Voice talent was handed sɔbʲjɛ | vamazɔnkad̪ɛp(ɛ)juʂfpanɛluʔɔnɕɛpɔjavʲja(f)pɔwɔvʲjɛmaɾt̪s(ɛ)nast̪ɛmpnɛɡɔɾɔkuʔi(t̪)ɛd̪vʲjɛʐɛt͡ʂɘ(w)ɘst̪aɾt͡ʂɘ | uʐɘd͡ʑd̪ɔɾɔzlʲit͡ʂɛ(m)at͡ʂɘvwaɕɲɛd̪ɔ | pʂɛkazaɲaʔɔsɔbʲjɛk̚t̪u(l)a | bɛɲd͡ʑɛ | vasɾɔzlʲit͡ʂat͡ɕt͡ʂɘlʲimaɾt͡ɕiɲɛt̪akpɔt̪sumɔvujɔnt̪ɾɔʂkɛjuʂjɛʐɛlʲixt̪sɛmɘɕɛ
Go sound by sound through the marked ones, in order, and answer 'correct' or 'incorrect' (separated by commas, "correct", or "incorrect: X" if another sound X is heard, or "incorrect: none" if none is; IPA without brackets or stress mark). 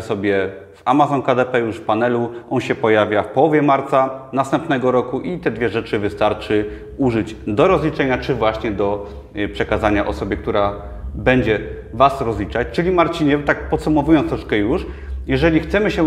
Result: correct, correct, incorrect: a, correct, incorrect: v, incorrect: ɲ, incorrect: ɾ